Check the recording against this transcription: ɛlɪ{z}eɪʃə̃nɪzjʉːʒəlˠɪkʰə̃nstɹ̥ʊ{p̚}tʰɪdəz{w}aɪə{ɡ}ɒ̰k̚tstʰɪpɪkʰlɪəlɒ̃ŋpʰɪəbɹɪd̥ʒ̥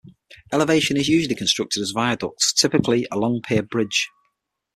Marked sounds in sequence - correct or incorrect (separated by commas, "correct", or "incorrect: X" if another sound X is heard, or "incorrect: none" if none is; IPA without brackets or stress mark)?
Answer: incorrect: v, incorrect: k̚, incorrect: v, incorrect: d